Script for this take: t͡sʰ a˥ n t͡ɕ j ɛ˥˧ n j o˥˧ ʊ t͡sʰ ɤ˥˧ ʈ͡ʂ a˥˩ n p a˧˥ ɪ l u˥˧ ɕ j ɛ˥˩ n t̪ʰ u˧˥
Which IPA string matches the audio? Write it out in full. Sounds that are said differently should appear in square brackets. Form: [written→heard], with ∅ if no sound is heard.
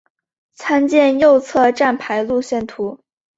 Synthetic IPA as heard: t͡sʰ a˥ n t͡ɕ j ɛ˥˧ n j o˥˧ ʊ t͡sʰ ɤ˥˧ ʈ͡ʂ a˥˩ n [p→pʰ] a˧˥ ɪ l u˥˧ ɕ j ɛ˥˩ n t̪ʰ u˧˥